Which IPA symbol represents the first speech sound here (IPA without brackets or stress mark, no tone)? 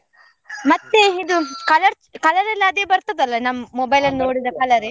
m